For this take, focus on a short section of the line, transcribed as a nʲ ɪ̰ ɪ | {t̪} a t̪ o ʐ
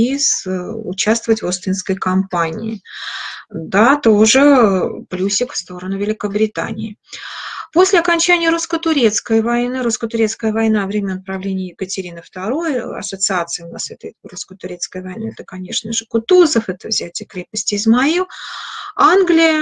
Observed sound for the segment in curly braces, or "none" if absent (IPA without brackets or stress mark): d̪